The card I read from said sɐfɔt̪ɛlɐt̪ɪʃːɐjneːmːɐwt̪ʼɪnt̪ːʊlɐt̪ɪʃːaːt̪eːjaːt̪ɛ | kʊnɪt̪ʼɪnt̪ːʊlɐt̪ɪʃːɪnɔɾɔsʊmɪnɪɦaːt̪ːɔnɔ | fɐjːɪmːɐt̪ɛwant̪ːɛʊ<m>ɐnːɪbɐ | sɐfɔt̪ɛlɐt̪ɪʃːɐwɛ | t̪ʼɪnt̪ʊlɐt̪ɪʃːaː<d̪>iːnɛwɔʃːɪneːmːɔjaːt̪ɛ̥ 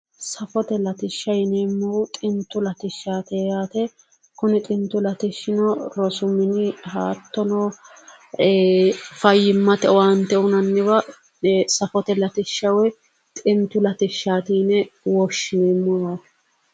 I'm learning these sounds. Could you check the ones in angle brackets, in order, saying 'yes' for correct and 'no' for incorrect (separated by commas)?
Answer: no, no